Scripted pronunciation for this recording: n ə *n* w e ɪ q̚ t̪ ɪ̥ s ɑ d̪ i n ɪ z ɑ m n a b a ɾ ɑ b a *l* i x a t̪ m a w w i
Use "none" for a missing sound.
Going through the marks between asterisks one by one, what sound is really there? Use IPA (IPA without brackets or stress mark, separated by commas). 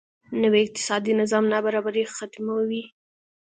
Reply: none, ɾ